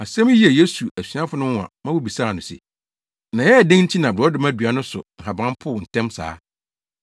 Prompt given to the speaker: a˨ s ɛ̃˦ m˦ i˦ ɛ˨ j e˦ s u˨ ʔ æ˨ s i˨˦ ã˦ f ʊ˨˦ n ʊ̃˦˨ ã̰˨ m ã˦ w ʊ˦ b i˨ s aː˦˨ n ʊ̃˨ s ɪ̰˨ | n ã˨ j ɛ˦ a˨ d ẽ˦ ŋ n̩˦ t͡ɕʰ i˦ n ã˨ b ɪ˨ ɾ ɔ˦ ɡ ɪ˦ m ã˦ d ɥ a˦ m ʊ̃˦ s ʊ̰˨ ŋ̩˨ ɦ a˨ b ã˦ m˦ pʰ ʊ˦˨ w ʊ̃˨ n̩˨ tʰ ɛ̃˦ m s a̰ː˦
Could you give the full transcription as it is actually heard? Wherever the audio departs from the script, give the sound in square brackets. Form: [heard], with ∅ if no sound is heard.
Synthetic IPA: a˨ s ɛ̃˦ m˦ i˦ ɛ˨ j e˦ s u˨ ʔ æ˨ s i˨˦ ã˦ f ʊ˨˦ n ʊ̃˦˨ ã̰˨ m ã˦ w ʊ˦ b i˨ s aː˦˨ n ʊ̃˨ s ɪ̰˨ | n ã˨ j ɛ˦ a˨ d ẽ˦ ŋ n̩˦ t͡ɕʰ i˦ n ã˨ b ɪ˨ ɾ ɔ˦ [d] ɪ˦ m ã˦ d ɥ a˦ [n] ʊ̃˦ s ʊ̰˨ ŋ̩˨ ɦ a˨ b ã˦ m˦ pʰ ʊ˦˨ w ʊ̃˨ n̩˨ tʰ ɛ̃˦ m s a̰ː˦